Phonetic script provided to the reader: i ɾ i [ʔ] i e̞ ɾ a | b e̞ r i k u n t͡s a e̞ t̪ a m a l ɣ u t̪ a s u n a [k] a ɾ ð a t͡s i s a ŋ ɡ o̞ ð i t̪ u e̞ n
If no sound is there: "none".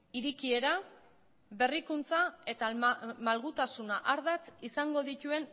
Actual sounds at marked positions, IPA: k, ʔ

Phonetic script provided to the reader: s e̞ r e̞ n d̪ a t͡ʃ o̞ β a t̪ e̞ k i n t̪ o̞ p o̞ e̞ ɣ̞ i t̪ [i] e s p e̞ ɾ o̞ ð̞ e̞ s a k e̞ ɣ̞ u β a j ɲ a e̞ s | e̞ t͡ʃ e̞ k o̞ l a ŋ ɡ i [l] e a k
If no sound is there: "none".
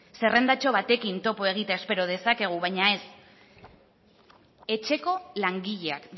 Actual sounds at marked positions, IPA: a, ʎ

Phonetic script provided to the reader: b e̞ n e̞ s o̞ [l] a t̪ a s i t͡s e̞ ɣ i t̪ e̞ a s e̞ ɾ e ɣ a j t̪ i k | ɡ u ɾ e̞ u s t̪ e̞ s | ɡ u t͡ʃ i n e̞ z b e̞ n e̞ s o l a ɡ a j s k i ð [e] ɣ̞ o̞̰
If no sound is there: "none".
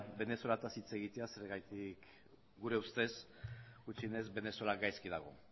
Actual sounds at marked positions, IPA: l, a

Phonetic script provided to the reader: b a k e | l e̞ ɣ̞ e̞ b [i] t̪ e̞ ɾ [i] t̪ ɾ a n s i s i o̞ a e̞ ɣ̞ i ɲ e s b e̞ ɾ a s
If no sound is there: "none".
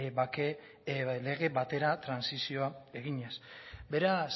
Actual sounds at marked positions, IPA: a, a

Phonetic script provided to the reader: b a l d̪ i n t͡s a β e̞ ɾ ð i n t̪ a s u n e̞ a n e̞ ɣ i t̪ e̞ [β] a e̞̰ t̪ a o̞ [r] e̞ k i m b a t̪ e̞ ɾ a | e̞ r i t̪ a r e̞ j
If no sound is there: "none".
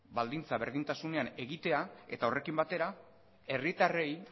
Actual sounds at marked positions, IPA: none, r

